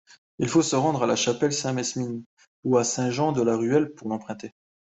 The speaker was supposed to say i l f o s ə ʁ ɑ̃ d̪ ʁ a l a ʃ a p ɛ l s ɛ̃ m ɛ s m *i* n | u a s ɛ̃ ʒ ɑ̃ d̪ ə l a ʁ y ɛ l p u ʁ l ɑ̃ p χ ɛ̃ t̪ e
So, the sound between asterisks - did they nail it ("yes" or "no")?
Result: yes